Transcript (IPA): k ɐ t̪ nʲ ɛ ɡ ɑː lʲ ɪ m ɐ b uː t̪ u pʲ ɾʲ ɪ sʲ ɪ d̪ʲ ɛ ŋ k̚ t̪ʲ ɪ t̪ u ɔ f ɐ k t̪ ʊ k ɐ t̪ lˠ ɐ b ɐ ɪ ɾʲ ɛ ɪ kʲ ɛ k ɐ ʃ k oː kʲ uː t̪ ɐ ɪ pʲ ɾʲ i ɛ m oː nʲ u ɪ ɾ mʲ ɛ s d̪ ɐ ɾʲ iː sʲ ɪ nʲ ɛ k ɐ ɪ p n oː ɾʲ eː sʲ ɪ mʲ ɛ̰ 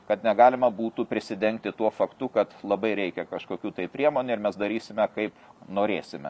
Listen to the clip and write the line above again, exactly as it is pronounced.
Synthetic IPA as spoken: k ɐ t̪ nʲ ɛ ɡ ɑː lʲ ɪ m ɐ b uː t̪ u pʲ ɾʲ ɪ sʲ ɪ d̪ʲ ɛ ŋ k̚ t̪ʲ ɪ t̪ u ɔ f ɐ k t̪ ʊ k ɐ t̪ lˠ ɐ b ɐ ɪ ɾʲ ɛ ɪ kʲ ɛ k ɐ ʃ k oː kʲ uː t̪ ɐ ɪ pʲ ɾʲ i ɛ m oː nʲ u ɪ ɾ mʲ ɛ s d̪ ɐ ɾʲ iː sʲ ɪ mʲ ɛ k ɐ ɪ p n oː ɾʲ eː sʲ ɪ mʲ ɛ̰

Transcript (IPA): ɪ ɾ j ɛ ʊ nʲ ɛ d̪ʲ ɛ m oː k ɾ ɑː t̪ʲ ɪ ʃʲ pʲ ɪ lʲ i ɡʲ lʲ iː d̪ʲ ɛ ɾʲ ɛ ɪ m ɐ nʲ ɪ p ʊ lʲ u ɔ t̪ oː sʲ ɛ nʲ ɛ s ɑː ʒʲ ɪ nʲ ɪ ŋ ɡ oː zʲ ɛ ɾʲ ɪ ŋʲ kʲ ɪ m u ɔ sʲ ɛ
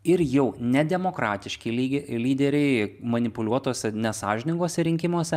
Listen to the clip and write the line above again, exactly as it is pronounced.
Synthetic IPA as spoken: ɪ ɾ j ɛ ʊ nʲ ɛ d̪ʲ ɛ m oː k ɾ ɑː t̪ʲ ɪ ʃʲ kʲ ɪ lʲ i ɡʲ lʲ iː d̪ʲ ɛ ɾʲ ɛ ɪ m ɐ nʲ ɪ p ʊ lʲ u ɔ t̪ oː sʲ ɛ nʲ ɛ s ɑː ʒʲ ɪ nʲ ɪ ŋ ɡ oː sʲ ɛ ɾʲ ɪ ŋʲ kʲ ɪ m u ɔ sʲ ɛ

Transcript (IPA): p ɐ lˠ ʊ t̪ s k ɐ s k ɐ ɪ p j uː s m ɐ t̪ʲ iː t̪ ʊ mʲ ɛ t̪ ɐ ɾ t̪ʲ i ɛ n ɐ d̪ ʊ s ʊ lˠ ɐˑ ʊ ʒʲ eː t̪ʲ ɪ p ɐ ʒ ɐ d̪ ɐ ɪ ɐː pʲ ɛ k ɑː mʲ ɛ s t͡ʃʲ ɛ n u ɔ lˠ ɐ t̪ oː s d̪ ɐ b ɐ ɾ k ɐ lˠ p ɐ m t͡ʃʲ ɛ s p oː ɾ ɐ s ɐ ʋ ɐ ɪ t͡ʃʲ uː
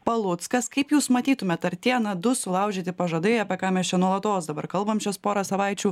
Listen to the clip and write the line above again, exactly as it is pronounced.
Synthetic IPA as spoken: p ɐ lˠ ʊ t̪ s k ɐ s k ɐ ɪ p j uː s m ɐ t̪ʲ iː t̪ ʊ mʲ ɛ t̪ ɐ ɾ t̪ʲ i ɛ n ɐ d̪ ʊ s ʊ lˠ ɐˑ ʊ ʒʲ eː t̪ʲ ɪ p ɐ ʒ ɐ d̪ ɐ ɪ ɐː pʲ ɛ k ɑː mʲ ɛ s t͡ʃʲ ɛ n u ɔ lˠ ɐ t̪ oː s d̪ ɐ b ɐ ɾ k ɐ lˠ b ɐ m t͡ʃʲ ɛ s p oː ɾ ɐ s ɐ ʋ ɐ ɪ t͡ʃʲ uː

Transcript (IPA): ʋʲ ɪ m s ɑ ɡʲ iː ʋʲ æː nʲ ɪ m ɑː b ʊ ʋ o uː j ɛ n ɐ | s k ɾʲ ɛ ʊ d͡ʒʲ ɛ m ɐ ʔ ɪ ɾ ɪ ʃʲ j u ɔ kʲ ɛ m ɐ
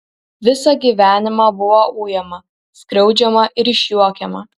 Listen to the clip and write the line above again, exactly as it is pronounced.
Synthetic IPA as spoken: ʋʲ ɪ s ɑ ɡʲ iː ʋʲ æː nʲ ɪ m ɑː b ʊ ʋ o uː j ɛ m ɐ | s k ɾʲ ɛ ʊ d͡ʒʲ ɛ m ɐ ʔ ɪ ɾ ɪ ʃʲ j u ɔ kʲ ɛ m ɐ

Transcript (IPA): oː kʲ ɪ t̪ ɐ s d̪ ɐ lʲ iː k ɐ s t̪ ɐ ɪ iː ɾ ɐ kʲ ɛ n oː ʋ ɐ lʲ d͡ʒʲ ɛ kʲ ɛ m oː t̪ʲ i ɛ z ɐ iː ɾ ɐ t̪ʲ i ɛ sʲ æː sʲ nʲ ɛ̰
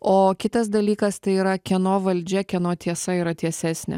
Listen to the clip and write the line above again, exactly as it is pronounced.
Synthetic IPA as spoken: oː kʲ ɪ t̪ ɐ s d̪ ɐ lʲ iː k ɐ s t̪ ɐ ɪ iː ɾ ɐ kʲ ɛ n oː ʋ ɐ lʲ d͡ʒʲ ɛ kʲ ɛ n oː t̪ʲ i ɛ s ɐ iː ɾ ɐ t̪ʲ i ɛ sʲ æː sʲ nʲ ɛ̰

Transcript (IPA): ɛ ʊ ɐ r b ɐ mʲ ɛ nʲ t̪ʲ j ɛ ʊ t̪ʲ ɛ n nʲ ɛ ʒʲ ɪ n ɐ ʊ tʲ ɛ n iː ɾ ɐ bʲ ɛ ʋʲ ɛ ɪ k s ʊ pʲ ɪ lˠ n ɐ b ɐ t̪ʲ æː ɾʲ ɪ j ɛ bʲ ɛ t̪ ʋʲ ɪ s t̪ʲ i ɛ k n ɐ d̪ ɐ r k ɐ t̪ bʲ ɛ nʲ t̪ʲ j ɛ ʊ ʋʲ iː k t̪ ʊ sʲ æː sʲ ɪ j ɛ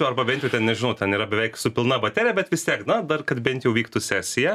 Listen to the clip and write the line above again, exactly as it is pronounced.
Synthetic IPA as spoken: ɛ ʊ ɐ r b ɐ bʲ ɛ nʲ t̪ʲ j ɛ ʊ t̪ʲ ɛ n nʲ ɛ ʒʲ ɪ n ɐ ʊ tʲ ɛ n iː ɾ ɐ bʲ ɛ ʋʲ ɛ ɪ k s ʊ pʲ ɪ lˠ n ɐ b ɐ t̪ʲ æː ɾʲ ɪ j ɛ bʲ ɛ t̪ ʋʲ ɪ s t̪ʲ i ɛ k n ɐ d̪ ɐ r k ɐ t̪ bʲ ɛ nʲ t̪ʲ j ɛ ʊ ʋʲ iː k t̪ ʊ sʲ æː sʲ ɪ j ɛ

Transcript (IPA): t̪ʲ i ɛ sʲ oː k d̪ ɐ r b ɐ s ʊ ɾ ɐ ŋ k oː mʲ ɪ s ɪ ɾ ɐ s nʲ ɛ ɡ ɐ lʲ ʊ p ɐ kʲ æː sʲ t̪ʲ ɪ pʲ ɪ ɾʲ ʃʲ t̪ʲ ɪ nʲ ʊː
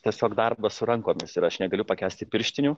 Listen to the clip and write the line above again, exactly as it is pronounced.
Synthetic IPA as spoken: t̪ʲ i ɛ sʲ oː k d̪ ɐ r b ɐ s ʊ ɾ ɐ ŋ k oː mʲ ɪ s ɪ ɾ ɐ ʃ nʲ ɛ ɡ ɐ lʲ ʊ p ɐ kʲ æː sʲ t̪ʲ ɪ pʲ ɪ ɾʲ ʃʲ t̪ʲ ɪ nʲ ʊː

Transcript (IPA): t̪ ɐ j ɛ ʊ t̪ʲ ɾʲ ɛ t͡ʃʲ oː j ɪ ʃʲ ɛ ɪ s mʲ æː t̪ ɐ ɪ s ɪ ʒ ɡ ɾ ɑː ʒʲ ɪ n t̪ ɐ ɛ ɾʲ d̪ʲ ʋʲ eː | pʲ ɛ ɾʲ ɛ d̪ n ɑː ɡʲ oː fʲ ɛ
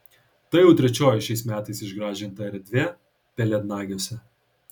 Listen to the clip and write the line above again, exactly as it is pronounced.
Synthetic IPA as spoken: t̪ ɐ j ɛ ʊ t̪ʲ ɾʲ ɛ t͡ʃʲ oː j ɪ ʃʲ ɛ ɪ s mʲ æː t̪ ɐ ɪ s ɪ ʒ ɡ ɾ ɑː ʒʲ ɪ n t̪ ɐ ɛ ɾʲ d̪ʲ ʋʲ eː | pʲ ɛ lʲ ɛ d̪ n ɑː ɡʲ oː sʲ ɛ

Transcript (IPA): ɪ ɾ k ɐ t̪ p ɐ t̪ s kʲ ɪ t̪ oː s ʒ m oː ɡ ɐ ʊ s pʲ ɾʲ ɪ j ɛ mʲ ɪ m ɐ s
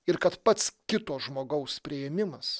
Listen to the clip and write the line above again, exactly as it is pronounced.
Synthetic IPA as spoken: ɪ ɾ k ɐ t̪ p ɐ t̪ s kʲ ɪ t̪ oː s ʒ m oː ɡ ɐ ʊ s pʲ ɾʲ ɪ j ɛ mʲ ɪ m ɐ s

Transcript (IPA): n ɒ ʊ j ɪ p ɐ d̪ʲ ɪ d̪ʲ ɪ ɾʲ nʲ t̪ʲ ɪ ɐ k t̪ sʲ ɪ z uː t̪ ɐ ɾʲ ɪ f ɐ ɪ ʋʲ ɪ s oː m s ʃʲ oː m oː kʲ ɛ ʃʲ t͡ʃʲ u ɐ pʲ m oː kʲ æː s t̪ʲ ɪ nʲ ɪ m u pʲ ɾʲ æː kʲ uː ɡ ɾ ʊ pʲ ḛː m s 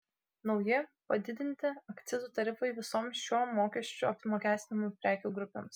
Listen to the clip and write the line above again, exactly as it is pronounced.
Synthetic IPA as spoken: n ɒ ʊ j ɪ p ɐ d̪ʲ ɪ d̪ʲ ɪ nʲ t̪ʲ ɪ ɐ k t̪ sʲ ɪ z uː t̪ ɐ ɾʲ ɪ f ɐ ɪ ʋʲ ɪ s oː m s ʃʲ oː m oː kʲ ɛ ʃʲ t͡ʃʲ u ɐ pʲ m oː kʲ æː s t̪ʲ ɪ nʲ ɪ m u pʲ ɾʲ æː kʲ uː ɡ ɾ ʊ pʲ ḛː m s

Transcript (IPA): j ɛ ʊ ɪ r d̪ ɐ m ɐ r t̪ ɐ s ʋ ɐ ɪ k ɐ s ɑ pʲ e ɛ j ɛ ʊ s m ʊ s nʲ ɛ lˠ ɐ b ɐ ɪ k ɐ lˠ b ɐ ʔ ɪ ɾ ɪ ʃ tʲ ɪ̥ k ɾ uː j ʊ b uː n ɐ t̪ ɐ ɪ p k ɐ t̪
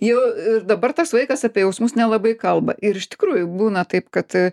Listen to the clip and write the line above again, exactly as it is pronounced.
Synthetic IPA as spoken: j ɛ ʊ ɪ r d̪ ɐ b ɐ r t̪ ɐ s ʋ ɐ ɪ k ɐ s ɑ pʲ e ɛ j ɛ ʊ s m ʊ s nʲ ɛ lˠ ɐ b ɐ ɪ k ɐ lˠ b ɐ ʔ ɪ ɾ ɪ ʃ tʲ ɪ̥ k ɾ uː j ʊ b uː n ɐ t̪ ɐ ɪ p k ɐ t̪

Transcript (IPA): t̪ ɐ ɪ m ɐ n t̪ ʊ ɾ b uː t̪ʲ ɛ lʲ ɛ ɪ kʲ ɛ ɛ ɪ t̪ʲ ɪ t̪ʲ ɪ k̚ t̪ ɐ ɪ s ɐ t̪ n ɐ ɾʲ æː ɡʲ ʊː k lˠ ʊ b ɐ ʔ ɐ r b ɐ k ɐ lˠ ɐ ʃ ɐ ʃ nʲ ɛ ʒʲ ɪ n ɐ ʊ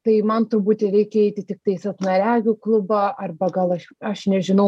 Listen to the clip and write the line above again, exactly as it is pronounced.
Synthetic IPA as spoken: t̪ ɐ ɪ m ɐ n t̪ ʊ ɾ b uː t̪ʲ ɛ ɾʲ ɛ ɪ kʲ ɛ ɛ ɪ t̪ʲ ɪ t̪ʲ ɪ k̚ t̪ ɐ ɪ s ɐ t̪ n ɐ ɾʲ æː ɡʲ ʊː k lˠ ʊ b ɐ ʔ ɐ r b ɐ ɡ ɐ lˠ ɐ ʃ ɐ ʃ nʲ ɛ ʒʲ ɪ n ɐ ʊ

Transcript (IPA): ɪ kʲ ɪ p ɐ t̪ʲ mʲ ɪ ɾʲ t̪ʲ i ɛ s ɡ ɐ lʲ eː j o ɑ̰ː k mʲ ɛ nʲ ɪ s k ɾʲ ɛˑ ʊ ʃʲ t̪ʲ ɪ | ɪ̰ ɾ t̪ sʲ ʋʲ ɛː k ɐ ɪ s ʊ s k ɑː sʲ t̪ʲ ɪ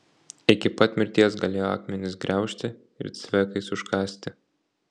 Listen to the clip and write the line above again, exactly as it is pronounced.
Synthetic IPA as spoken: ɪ kʲ ɪ p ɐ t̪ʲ mʲ ɪ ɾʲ t̪ʲ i ɛ s ɡ ɐ lʲ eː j o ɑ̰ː k mʲ ɛ nʲ ɪ s ɡ ɾʲ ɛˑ ʊ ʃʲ t̪ʲ ɪ | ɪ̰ ɾ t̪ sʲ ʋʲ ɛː k ɐ ɪ s ʊ ʃ k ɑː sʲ t̪ʲ ɪ

